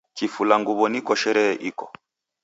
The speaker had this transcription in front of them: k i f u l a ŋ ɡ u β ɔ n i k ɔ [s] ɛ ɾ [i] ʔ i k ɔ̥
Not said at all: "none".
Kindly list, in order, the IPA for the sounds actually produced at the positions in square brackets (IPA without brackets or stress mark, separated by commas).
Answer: ʃ, ɛ